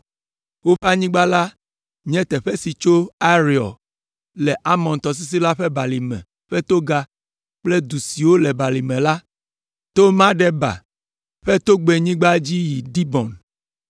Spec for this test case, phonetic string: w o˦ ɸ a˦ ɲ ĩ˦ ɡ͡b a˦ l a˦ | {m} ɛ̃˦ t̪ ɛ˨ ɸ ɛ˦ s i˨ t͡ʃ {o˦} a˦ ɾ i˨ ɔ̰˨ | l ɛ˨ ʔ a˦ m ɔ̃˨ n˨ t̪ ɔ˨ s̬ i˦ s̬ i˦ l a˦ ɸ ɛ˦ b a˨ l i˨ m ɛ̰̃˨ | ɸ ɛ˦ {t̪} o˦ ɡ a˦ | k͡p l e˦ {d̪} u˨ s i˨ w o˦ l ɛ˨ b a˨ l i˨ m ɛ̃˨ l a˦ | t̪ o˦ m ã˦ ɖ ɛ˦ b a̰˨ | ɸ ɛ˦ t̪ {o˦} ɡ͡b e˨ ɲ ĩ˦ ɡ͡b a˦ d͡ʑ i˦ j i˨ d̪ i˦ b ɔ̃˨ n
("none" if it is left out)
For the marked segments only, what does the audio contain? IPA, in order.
ɲ, o˦, t̪, d̪, o˦

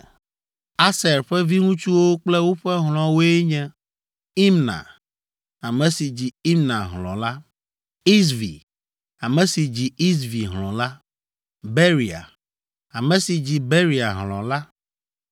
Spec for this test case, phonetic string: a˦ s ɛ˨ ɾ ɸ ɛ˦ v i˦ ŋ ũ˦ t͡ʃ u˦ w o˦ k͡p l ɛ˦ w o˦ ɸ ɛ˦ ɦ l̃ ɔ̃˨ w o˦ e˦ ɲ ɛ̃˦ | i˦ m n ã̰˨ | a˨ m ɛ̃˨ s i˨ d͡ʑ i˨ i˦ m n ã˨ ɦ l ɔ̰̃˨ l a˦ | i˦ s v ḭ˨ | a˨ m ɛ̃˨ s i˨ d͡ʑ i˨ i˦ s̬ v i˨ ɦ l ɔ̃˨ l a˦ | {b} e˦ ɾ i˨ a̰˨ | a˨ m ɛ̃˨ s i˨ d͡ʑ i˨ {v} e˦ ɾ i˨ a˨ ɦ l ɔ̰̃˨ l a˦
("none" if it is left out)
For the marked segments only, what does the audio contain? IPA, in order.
b, b

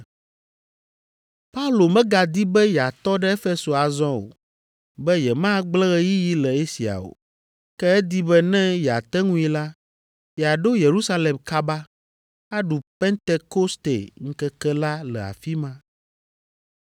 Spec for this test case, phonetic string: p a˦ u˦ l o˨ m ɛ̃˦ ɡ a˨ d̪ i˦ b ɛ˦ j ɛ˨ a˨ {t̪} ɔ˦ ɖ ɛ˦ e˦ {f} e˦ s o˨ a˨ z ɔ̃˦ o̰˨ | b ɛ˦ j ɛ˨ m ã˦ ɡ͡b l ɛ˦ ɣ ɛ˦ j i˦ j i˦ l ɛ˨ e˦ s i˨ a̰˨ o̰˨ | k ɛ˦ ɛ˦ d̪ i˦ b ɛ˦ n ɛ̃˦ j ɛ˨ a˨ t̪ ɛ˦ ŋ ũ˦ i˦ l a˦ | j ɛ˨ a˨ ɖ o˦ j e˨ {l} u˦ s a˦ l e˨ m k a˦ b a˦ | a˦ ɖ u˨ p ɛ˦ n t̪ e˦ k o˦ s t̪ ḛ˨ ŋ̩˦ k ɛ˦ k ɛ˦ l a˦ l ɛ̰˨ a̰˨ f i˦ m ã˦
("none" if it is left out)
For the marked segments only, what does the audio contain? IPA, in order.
t̪, f, ɾ

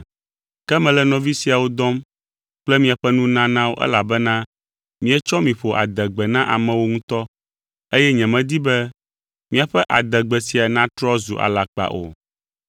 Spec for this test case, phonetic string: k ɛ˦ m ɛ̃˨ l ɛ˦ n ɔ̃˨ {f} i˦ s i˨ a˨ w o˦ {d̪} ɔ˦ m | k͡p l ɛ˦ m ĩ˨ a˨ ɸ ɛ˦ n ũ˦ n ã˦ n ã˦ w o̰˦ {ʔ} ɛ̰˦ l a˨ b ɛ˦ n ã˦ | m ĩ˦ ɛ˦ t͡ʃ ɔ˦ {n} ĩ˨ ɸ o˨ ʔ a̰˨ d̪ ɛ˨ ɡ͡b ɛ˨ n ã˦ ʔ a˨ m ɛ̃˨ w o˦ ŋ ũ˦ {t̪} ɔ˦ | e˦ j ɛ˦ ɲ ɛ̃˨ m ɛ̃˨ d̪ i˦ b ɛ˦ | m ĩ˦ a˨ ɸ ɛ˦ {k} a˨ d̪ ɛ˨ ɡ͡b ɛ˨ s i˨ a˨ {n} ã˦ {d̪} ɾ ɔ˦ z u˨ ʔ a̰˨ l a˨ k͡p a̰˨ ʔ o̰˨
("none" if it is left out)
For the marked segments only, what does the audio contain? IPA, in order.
v, d̪, ʔ, m, t̪, ʔ, n, t̪

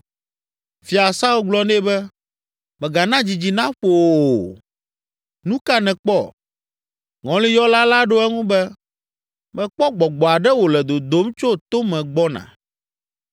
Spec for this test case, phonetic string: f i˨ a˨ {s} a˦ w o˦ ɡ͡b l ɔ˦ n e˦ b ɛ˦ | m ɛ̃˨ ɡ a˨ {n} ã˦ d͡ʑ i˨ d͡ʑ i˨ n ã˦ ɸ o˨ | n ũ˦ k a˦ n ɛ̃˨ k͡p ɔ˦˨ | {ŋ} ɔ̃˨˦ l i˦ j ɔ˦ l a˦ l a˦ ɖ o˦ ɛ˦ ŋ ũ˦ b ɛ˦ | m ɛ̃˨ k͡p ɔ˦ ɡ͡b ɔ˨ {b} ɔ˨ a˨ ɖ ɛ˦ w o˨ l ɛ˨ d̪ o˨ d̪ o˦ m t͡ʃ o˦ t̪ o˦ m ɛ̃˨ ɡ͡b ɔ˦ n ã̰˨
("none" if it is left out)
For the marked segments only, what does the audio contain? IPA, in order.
s, n, ŋ, ɡ͡b

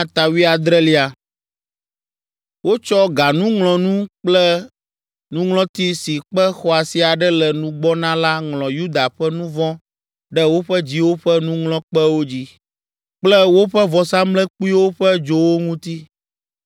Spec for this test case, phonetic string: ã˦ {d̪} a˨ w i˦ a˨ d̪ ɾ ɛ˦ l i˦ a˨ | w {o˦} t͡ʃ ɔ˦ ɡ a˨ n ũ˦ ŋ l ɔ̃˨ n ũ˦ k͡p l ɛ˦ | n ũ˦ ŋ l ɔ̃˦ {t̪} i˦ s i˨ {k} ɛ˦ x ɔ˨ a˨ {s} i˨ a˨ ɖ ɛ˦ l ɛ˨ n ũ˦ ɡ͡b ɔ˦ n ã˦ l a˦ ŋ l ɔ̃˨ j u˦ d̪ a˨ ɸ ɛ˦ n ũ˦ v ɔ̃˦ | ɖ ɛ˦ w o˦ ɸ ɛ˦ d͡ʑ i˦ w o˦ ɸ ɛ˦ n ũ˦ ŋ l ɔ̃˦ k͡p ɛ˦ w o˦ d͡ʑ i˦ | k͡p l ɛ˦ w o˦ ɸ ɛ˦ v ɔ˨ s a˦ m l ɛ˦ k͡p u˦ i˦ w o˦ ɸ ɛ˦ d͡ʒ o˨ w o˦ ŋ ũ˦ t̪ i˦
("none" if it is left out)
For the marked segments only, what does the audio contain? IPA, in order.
t̪, o˦, t̪, k͡p, s

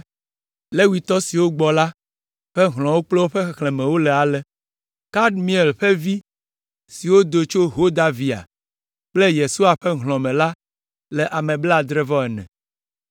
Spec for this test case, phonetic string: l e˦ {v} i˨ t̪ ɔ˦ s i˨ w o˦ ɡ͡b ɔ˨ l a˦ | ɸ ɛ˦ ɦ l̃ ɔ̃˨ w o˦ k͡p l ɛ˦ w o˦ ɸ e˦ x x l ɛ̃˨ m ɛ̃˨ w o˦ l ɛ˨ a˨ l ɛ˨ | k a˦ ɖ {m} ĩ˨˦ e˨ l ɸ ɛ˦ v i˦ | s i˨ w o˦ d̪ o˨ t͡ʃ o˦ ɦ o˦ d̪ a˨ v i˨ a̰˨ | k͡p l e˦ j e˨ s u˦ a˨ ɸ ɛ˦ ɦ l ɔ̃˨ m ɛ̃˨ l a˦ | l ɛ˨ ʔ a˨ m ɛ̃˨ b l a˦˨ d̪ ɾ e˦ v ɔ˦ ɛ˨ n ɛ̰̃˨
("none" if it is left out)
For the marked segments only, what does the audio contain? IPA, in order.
w, m

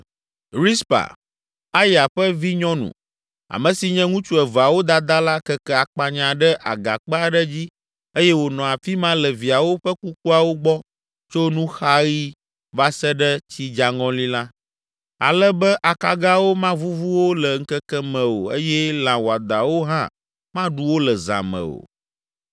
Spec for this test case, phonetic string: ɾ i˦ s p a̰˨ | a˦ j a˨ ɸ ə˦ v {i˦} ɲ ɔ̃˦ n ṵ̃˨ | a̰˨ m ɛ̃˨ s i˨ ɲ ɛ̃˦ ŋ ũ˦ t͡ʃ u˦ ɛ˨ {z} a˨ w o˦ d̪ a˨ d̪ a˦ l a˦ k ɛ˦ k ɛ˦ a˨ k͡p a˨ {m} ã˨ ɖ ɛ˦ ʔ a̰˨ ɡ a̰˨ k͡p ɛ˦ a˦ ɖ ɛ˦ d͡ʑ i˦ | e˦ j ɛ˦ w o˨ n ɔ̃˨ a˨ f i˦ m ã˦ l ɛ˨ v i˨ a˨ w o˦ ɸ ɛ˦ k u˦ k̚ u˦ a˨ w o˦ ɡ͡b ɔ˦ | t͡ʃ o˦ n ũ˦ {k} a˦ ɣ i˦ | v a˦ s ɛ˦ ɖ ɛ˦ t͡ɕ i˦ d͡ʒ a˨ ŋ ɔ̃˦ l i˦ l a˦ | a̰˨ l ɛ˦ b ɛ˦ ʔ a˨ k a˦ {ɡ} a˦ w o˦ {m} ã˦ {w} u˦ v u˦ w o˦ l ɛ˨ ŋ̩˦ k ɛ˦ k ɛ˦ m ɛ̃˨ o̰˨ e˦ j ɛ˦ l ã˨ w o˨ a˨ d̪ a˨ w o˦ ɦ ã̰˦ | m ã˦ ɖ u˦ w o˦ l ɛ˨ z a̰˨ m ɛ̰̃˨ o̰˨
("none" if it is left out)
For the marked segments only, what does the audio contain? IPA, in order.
i˦, v, ɲ, x, ɡ, m, v

